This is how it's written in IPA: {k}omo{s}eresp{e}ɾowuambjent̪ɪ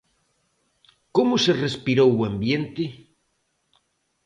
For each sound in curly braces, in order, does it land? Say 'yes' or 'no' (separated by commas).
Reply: yes, yes, no